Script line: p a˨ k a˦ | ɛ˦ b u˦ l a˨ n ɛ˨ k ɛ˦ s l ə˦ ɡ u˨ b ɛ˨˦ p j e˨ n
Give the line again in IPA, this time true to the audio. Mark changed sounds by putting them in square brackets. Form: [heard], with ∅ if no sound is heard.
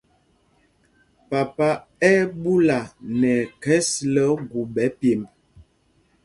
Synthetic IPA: p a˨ [p] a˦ | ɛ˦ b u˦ l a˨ n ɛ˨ k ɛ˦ s l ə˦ ɡ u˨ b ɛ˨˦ p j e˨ [m]